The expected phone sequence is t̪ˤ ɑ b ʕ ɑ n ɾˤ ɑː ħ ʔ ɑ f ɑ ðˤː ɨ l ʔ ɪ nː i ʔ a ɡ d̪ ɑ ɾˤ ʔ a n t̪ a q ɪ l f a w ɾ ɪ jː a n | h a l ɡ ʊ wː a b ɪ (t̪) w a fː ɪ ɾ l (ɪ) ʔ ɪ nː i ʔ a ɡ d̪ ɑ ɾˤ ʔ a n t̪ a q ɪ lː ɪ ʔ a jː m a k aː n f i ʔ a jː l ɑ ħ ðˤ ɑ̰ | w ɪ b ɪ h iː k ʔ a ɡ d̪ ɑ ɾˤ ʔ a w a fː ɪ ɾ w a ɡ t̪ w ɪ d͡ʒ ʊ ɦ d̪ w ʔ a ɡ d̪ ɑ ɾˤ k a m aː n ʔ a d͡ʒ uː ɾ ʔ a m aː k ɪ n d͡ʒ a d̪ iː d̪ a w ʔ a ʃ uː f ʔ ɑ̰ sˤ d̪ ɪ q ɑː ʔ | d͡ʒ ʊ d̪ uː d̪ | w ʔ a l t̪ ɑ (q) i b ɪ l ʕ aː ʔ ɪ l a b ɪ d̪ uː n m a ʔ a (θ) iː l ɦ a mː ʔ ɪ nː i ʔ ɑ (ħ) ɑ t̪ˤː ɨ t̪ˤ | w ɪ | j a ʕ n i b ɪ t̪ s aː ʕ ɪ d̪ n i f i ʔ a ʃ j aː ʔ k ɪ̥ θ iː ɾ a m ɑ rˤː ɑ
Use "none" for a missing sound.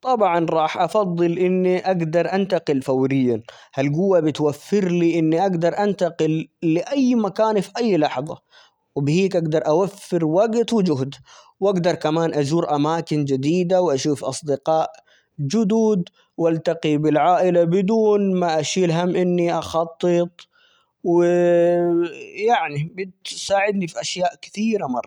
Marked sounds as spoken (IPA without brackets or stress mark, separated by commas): t̪, i, q, ʃ, x